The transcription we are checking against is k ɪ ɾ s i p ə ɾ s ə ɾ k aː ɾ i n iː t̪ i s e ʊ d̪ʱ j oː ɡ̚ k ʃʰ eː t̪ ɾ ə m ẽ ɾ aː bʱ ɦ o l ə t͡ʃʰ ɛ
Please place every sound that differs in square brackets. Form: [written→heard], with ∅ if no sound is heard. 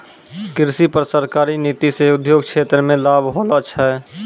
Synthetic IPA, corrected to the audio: k ɪ ɾ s i p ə ɾ s ə ɾ k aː ɾ i n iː t̪ i s e ʊ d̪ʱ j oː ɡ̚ k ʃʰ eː t̪ ɾ ə m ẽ [ɾ→l] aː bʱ ɦ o l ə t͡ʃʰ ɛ